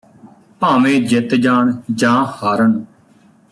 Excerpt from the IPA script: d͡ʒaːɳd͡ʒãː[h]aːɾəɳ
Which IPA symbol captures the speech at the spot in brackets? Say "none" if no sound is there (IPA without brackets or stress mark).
h